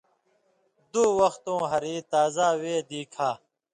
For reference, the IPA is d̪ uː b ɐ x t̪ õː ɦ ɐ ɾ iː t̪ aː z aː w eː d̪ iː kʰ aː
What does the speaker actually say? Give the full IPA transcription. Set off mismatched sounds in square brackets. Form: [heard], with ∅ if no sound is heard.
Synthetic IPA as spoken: d̪ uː [w] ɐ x t̪ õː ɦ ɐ ɾ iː t̪ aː z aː w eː d̪ iː kʰ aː